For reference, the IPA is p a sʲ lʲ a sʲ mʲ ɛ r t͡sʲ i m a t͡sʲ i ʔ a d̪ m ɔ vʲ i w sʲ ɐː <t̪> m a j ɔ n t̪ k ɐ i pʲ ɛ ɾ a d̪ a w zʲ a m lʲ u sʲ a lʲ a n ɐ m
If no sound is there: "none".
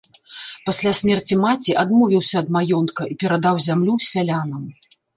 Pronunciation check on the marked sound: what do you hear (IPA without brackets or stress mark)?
d̪